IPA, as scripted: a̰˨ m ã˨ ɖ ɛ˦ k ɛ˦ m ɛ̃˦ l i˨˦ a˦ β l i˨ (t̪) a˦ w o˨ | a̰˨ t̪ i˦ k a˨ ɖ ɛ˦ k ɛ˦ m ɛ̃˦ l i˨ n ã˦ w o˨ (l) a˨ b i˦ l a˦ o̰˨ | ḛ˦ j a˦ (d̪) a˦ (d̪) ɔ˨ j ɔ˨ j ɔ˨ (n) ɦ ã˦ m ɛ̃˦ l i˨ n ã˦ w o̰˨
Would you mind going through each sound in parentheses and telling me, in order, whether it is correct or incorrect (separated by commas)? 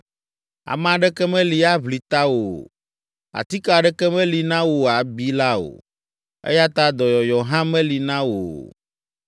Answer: correct, incorrect, incorrect, correct, incorrect